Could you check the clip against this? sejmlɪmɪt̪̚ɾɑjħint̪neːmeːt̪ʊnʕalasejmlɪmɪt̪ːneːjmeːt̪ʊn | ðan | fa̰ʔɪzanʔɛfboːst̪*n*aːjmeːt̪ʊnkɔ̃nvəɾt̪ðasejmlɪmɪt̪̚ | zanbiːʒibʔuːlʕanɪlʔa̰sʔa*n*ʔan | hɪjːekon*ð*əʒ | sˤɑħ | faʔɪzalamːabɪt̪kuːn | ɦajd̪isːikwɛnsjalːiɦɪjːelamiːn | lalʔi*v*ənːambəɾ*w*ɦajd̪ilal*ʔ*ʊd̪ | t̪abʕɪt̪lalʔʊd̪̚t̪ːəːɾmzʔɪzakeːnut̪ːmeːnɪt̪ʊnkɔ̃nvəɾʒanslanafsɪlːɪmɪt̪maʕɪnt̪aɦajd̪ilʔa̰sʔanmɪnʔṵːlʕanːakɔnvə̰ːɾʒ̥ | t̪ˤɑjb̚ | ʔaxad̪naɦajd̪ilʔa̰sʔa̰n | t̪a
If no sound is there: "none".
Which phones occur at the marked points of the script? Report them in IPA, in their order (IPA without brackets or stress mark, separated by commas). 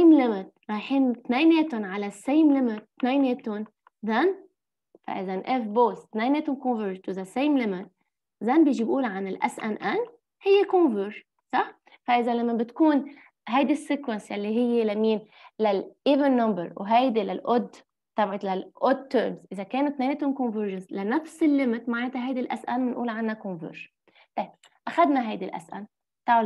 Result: n, n, v, v, w, ʔ